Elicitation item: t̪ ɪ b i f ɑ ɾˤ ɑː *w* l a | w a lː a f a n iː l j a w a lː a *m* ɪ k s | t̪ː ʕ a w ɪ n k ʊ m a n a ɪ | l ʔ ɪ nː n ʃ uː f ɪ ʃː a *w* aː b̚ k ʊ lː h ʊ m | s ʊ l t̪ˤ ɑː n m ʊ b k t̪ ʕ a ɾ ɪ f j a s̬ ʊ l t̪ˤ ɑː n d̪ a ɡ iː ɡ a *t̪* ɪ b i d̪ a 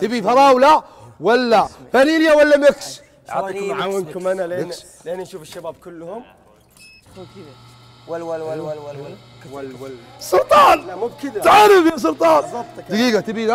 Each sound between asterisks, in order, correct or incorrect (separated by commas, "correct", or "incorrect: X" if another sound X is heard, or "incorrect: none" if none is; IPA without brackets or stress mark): correct, correct, incorrect: b, correct